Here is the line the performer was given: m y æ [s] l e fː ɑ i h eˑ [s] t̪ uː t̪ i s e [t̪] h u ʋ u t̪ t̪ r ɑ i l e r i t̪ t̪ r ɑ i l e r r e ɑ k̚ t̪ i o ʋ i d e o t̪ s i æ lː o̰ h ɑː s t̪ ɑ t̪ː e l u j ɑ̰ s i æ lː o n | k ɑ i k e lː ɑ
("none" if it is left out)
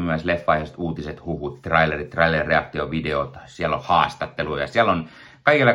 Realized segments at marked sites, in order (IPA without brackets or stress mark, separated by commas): s, s, t̪